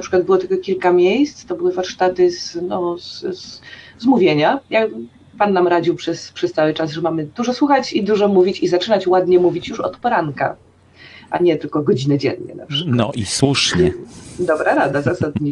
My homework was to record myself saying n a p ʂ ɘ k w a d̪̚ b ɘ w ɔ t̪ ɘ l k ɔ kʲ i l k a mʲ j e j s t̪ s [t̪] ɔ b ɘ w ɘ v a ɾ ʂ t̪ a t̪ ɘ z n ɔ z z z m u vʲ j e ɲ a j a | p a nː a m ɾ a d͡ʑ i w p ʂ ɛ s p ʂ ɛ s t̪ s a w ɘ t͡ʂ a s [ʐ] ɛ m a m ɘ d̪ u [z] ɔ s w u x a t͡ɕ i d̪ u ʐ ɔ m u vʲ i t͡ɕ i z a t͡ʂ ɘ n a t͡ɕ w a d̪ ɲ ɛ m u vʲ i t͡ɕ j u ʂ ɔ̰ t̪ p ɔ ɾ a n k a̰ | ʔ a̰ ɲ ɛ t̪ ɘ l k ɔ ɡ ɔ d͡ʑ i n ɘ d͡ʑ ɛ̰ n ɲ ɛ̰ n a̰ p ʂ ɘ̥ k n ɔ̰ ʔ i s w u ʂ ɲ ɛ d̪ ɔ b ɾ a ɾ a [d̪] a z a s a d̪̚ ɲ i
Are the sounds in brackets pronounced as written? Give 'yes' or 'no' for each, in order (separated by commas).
yes, yes, no, yes